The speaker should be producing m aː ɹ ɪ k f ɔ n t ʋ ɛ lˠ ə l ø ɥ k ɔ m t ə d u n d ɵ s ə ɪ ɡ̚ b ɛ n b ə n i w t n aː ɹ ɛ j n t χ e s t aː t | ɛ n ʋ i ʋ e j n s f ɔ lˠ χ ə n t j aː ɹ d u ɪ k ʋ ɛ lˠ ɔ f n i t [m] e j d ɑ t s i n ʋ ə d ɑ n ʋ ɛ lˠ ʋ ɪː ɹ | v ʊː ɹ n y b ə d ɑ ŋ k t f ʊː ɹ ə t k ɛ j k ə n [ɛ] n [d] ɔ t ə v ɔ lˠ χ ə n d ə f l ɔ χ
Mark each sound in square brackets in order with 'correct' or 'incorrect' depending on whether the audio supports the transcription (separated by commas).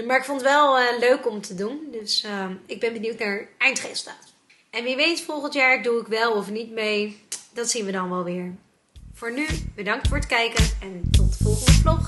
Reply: correct, correct, incorrect